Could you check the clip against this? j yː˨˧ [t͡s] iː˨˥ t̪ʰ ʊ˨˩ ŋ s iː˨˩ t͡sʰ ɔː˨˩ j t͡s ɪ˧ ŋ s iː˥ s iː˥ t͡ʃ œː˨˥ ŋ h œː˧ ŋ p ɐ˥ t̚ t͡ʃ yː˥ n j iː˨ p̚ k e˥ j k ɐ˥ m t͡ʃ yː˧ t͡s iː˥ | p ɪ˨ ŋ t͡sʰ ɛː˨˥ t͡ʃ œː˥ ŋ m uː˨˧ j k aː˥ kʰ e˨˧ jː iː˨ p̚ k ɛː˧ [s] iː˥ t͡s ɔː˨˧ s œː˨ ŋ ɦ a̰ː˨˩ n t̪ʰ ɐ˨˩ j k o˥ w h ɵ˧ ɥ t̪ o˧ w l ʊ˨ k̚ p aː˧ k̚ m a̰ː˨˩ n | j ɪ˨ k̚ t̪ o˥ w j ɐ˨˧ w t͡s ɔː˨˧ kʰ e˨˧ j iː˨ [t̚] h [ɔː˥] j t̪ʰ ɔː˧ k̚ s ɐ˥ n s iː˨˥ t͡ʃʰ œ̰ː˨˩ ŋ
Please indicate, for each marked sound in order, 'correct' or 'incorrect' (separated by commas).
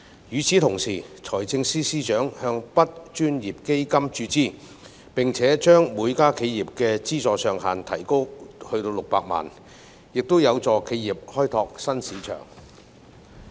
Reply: incorrect, incorrect, incorrect, correct